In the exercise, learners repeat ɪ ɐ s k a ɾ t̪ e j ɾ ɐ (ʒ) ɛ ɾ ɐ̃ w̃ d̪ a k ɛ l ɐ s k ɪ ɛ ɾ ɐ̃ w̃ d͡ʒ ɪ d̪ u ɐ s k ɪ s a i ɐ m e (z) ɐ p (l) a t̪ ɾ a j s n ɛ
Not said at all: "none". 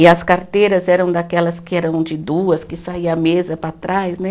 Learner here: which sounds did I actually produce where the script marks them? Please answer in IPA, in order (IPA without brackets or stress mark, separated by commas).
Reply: z, z, ɾ